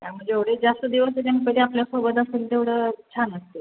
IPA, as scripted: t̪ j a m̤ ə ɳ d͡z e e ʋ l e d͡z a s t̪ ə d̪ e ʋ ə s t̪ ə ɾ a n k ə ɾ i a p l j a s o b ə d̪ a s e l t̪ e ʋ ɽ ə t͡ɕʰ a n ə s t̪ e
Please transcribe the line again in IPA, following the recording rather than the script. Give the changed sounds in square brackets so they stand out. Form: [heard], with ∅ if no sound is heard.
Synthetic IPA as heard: t̪ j a m̤ ə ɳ d͡z e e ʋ [ɽ] e d͡z a s t̪ ə d̪ [i] ʋ ə s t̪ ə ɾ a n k ə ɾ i a p l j a s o b ə d̪ a s e l t̪ e ʋ ɽ ə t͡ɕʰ a n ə s t̪ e